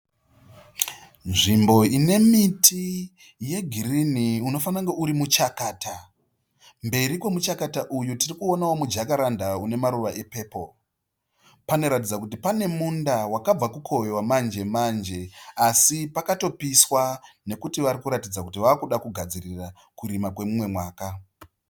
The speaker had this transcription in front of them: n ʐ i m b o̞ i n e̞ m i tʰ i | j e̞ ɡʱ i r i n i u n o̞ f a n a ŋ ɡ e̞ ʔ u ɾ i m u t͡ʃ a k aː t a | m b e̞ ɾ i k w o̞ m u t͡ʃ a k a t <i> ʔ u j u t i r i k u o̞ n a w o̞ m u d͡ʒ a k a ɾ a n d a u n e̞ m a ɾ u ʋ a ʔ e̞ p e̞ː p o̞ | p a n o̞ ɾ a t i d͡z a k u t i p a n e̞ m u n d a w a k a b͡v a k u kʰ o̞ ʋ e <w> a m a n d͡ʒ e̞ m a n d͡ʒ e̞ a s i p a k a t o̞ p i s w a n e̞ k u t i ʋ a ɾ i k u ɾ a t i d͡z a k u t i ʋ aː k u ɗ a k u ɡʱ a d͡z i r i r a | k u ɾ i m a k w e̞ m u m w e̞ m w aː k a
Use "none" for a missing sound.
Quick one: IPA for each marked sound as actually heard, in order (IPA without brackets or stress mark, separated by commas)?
a, w